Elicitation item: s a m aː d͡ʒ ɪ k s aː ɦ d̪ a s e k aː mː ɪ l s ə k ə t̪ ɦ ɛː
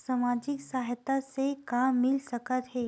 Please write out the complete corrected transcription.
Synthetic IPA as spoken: s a m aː d͡ʒ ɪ k s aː ɦ t̪ a s e k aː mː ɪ l s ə k ə t̪ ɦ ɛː